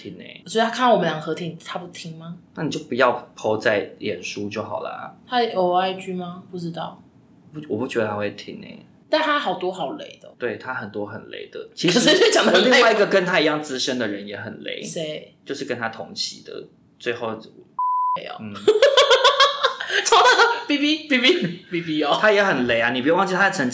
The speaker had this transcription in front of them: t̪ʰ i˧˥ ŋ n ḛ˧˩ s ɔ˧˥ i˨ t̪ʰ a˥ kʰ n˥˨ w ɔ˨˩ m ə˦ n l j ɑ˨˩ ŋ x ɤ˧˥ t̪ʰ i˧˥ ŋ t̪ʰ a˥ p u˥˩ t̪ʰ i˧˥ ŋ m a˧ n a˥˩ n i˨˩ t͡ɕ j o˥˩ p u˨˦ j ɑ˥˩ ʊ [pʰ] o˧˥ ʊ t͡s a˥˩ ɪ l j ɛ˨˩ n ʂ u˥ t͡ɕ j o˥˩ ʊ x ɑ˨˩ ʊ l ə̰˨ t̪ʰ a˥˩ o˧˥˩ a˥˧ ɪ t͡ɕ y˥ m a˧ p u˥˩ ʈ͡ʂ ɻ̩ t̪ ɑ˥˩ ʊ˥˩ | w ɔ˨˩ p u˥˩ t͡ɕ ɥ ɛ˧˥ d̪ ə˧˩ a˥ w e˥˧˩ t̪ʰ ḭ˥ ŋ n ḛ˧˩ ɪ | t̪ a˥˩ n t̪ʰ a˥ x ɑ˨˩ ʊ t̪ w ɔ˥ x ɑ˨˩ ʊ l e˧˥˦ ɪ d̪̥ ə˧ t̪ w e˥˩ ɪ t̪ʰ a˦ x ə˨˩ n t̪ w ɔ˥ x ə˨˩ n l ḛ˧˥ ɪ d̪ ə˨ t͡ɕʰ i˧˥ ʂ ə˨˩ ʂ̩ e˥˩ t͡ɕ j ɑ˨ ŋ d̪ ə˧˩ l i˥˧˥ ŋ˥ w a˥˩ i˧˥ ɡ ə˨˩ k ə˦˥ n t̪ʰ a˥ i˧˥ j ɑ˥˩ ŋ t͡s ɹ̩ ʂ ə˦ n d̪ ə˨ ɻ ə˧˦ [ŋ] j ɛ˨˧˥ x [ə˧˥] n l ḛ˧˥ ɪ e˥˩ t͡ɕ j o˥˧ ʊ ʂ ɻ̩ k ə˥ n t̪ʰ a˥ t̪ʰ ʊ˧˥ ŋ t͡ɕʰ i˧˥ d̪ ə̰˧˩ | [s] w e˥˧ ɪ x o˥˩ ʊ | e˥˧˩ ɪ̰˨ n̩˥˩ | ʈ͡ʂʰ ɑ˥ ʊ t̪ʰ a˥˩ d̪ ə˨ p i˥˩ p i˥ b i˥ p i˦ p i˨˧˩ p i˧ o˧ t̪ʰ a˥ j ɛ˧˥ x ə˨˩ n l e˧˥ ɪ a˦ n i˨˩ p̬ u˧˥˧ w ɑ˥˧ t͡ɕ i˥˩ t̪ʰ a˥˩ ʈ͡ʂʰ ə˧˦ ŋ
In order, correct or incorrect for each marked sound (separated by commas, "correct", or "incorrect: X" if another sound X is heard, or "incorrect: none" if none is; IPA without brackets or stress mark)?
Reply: correct, incorrect: n, incorrect: ə˨˩, incorrect: t͡s